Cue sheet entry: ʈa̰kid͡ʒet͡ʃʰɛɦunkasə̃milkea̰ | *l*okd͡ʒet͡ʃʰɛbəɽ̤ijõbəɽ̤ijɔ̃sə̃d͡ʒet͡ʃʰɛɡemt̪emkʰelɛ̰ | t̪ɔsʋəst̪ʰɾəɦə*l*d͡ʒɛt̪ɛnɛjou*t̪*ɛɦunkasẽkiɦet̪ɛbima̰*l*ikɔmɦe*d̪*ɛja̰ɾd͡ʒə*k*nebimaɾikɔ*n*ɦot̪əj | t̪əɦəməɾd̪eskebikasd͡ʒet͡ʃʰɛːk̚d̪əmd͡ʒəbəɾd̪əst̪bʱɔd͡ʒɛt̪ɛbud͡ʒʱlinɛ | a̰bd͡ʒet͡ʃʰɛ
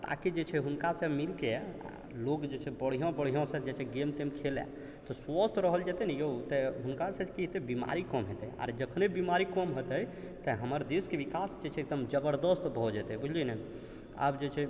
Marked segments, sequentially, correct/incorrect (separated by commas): correct, correct, correct, incorrect, incorrect, incorrect, incorrect